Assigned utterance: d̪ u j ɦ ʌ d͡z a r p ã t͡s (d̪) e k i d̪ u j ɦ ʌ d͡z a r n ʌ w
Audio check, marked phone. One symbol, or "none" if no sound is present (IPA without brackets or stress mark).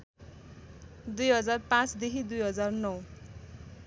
d̪